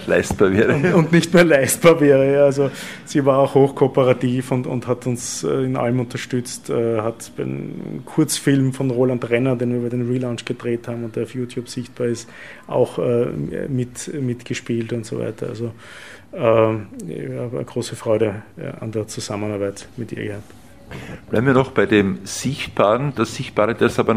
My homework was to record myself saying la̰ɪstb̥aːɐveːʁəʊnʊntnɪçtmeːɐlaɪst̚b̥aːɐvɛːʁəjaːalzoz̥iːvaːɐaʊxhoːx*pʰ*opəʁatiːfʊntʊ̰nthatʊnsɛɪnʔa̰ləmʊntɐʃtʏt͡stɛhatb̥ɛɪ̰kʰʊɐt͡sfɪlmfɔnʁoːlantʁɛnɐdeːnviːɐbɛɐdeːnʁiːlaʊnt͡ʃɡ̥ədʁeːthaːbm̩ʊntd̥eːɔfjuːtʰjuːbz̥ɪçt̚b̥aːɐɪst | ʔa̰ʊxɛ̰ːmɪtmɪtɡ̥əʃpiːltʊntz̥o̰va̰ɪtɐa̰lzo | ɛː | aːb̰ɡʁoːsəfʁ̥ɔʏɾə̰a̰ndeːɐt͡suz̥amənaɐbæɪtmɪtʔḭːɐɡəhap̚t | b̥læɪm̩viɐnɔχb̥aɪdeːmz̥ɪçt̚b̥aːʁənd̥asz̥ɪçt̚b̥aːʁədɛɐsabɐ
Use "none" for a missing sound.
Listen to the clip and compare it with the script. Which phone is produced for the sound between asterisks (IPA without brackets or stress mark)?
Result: kʰ